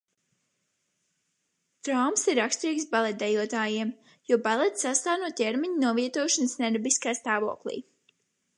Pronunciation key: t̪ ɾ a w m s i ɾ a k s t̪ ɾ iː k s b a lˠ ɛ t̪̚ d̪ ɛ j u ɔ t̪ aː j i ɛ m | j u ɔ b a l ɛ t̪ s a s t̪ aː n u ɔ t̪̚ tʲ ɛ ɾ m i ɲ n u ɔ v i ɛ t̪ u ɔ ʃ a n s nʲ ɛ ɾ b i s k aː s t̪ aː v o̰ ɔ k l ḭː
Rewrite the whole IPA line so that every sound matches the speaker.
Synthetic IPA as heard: t̪ ɾ a w m s i ɾ a k s t̪ ɾ iː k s b a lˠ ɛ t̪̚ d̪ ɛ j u ɔ t̪ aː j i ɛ m | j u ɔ b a l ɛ t̪ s a s t̪ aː n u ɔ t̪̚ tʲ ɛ ɾ m i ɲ n u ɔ v i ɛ t̪ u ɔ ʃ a n s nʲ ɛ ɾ b i s k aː s t̪ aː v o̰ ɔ k l ḭː